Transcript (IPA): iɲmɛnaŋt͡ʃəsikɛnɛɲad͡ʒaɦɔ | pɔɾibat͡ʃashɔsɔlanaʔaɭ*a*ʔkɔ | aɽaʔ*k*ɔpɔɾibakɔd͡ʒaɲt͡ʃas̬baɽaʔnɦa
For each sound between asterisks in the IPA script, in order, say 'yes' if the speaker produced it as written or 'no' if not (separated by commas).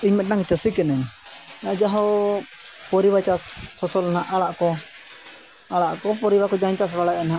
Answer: yes, yes